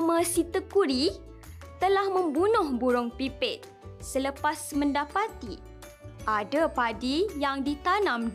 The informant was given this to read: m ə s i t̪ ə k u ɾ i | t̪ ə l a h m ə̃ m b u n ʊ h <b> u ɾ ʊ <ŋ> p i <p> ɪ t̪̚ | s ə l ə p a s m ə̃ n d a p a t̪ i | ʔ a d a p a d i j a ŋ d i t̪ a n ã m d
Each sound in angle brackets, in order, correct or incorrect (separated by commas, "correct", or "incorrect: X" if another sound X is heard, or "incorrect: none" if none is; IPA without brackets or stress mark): correct, correct, correct